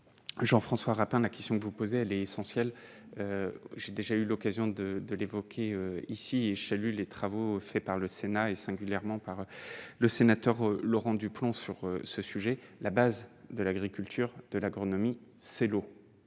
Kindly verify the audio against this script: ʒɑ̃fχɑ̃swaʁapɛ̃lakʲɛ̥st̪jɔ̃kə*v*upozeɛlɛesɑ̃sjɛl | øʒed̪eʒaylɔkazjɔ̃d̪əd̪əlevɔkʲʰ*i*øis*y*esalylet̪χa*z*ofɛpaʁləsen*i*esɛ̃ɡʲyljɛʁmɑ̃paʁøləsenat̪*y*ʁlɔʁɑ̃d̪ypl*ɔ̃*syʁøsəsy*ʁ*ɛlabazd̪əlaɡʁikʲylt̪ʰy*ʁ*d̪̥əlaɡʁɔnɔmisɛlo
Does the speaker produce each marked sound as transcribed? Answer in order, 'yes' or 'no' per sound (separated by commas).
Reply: yes, no, no, no, no, no, yes, no, yes